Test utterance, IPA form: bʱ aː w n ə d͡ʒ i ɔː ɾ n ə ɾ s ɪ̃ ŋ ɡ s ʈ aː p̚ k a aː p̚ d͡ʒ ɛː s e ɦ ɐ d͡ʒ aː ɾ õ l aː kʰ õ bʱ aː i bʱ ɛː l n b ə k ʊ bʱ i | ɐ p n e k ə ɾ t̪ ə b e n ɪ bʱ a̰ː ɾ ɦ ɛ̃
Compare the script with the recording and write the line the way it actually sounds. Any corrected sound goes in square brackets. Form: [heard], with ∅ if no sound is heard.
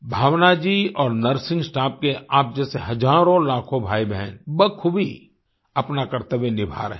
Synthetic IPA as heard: bʱ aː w n [a] d͡ʒ i ɔː ɾ n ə ɾ s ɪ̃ ŋ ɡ s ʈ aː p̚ k [e] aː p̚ d͡ʒ ɛː s e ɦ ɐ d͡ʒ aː ɾ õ l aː kʰ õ bʱ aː i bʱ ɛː [∅] n b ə [kʰ] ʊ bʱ i | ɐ p n [a] k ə ɾ t̪ ə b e n ɪ bʱ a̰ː ɾ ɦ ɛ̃